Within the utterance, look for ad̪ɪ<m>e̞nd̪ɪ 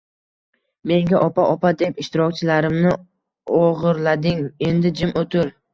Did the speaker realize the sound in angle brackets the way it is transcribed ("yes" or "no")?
no